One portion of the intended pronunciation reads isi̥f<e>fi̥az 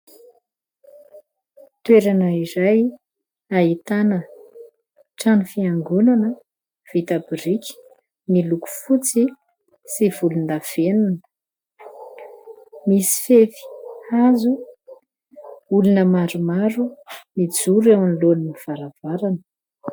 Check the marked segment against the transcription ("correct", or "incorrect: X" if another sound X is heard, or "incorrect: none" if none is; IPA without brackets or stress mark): correct